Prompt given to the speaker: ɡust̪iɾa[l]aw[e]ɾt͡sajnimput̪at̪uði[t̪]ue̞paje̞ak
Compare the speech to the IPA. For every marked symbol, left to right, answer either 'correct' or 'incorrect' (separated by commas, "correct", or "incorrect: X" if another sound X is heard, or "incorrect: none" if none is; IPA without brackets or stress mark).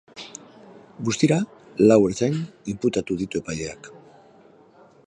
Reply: correct, correct, correct